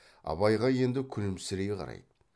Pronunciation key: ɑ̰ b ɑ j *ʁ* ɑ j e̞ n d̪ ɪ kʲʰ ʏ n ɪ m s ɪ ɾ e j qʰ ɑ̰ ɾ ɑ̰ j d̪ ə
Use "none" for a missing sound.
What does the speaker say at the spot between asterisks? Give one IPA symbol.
ʁ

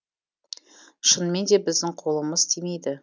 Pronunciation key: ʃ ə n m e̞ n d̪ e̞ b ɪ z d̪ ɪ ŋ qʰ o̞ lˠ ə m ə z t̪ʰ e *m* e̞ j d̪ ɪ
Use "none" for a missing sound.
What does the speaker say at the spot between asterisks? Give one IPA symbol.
m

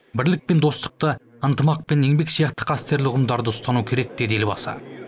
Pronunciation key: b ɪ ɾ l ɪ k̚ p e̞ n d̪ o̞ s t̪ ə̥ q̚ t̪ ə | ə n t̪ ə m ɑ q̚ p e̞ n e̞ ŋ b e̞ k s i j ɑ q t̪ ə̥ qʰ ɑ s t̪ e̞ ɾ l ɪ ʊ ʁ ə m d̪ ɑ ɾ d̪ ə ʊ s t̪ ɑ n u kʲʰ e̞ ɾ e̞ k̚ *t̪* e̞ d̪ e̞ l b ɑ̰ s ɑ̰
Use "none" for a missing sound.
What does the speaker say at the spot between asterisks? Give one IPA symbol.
d̪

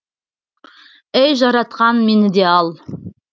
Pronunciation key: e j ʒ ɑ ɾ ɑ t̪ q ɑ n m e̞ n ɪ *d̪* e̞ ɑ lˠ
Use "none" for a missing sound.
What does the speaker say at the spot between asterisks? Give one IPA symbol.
d̪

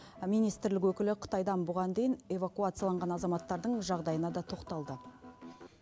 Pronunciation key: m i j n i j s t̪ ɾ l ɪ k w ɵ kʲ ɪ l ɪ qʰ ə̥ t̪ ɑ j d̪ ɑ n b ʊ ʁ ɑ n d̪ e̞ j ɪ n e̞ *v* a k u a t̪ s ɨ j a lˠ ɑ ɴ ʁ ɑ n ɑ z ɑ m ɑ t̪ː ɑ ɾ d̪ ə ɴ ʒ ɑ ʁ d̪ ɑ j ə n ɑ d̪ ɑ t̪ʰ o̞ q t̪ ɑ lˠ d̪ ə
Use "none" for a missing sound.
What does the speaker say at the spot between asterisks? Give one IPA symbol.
v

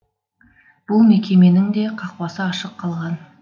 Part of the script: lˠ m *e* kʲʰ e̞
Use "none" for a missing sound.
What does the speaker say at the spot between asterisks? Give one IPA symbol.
e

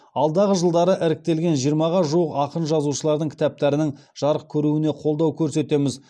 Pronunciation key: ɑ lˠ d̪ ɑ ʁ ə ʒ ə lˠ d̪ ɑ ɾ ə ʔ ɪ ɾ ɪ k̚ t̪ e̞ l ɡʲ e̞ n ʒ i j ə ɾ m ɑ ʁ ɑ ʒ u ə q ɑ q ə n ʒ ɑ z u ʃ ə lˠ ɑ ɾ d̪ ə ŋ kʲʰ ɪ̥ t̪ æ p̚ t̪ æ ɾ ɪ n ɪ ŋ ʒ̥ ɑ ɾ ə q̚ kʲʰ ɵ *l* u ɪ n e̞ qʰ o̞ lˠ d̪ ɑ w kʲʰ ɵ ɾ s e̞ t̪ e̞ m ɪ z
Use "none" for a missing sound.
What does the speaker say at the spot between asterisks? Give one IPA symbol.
ɾ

